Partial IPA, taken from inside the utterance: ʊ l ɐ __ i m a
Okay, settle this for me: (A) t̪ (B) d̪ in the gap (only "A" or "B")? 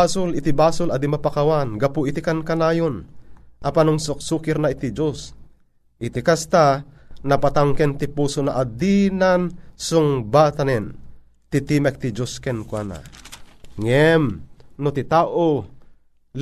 B